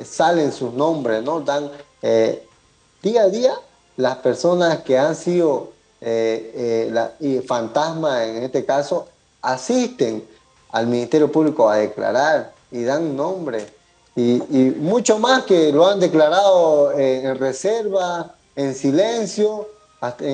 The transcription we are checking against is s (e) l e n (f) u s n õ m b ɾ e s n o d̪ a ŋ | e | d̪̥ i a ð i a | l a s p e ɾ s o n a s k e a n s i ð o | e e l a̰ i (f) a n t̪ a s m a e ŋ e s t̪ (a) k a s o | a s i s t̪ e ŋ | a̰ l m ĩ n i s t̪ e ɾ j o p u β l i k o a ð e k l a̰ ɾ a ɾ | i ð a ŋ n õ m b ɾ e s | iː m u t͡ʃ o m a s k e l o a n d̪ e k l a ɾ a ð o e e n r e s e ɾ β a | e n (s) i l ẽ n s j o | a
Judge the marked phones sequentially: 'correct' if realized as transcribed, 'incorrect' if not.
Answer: incorrect: a, incorrect: s, correct, incorrect: e, correct

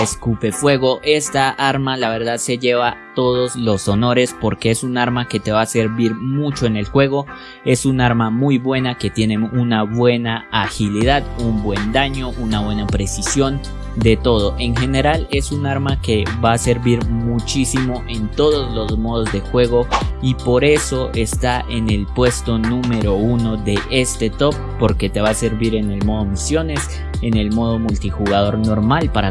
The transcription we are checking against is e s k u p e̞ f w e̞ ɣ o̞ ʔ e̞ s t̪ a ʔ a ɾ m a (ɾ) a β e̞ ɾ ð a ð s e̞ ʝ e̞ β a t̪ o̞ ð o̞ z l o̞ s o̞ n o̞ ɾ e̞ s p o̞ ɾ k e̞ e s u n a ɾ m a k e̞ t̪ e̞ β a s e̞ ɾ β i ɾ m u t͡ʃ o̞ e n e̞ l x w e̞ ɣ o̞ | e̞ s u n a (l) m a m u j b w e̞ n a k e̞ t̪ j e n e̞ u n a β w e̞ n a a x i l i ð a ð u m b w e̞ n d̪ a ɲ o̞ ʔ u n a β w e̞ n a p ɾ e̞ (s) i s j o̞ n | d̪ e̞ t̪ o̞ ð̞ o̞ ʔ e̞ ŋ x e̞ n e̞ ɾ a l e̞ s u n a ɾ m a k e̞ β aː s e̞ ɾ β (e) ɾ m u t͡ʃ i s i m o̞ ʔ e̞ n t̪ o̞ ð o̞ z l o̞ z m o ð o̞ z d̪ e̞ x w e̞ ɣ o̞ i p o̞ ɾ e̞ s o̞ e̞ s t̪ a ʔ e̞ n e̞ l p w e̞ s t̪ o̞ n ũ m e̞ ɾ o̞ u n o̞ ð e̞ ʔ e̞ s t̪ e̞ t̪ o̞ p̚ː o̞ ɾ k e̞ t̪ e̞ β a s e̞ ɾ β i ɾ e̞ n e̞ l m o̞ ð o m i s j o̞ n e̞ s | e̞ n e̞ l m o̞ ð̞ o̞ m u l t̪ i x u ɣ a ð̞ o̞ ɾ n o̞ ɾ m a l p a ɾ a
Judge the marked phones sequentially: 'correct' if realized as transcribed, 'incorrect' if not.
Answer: incorrect: l, incorrect: ɾ, correct, incorrect: i

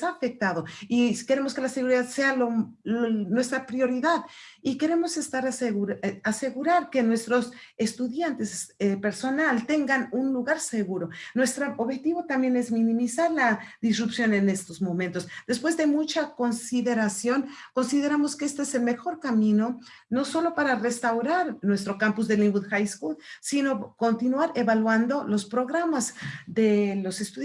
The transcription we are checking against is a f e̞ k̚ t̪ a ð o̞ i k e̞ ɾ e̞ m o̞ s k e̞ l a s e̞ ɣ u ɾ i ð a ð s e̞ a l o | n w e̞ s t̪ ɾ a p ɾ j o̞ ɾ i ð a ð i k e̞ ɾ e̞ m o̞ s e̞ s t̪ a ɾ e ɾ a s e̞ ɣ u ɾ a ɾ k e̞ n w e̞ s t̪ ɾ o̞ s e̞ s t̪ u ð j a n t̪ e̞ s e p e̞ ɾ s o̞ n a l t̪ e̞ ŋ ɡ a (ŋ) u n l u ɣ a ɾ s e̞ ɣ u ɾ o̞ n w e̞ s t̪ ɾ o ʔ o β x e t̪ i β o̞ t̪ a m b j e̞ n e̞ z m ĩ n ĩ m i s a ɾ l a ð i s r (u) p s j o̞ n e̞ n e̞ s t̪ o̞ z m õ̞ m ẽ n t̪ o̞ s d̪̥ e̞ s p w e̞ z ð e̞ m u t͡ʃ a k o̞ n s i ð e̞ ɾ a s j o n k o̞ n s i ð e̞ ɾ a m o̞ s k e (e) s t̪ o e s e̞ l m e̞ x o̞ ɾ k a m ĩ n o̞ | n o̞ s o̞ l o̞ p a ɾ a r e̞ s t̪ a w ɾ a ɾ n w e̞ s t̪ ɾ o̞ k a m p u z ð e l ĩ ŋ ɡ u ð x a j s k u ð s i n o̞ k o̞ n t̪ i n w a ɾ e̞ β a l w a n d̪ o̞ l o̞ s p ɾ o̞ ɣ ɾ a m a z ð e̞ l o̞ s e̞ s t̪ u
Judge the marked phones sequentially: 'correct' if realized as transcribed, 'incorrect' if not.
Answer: incorrect: n, correct, correct

